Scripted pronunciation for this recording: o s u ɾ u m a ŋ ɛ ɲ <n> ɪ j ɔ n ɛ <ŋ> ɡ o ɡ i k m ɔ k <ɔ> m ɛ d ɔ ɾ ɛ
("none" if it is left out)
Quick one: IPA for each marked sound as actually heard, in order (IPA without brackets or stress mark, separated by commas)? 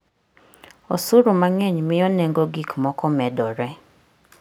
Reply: m, ŋ, ɔ